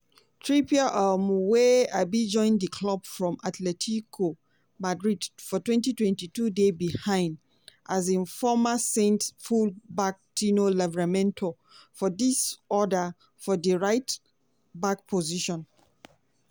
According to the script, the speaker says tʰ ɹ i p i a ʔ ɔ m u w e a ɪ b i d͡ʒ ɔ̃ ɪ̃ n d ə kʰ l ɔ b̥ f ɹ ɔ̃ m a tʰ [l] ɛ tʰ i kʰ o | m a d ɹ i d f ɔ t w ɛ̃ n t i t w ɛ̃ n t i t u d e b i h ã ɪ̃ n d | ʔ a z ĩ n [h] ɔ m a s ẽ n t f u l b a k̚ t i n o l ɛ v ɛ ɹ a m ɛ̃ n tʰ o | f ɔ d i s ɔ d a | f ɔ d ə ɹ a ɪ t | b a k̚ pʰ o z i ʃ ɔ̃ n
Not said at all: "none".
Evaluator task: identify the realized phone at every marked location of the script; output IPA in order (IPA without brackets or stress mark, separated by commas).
l, f